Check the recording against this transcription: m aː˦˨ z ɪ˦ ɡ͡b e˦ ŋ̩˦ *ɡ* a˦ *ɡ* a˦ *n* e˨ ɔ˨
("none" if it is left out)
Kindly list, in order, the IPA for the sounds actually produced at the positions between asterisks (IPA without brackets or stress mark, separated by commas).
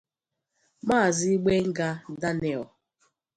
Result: ɡ, d, n